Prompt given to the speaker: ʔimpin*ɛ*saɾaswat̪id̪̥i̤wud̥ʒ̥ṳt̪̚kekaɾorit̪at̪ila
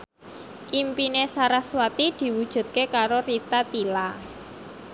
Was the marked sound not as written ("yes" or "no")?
yes